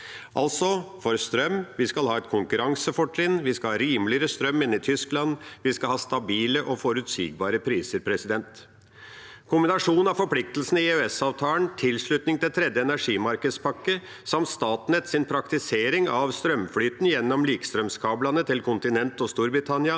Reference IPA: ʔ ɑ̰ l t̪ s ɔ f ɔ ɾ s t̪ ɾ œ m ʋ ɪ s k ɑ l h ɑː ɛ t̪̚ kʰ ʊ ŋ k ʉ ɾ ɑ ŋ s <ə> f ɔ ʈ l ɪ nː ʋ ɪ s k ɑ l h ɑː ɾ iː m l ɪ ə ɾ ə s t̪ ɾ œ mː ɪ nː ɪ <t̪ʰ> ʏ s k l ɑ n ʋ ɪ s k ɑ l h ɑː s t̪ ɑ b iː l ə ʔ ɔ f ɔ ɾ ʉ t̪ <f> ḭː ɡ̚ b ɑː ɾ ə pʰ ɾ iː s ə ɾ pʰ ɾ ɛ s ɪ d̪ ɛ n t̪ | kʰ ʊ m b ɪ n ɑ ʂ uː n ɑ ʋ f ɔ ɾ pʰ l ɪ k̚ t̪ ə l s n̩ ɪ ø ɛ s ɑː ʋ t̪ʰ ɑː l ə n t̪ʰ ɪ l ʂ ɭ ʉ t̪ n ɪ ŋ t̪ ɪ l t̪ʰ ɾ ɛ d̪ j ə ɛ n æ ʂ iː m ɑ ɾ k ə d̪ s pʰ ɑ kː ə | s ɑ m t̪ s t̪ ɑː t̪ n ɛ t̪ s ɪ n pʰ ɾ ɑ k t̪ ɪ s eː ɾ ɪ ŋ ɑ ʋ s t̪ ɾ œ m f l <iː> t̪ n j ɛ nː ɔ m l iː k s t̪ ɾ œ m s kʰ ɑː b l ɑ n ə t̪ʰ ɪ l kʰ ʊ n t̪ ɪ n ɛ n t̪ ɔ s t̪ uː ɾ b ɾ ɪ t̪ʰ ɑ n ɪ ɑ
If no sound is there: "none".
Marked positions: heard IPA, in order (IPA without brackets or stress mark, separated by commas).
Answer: ə, t̪ʰ, s, yː